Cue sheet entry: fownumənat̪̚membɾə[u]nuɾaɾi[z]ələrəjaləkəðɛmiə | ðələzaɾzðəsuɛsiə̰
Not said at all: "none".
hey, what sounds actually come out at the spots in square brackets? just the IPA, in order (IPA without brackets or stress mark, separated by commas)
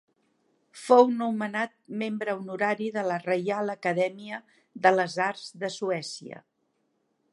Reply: u, ð